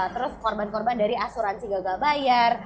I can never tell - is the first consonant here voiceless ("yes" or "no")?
yes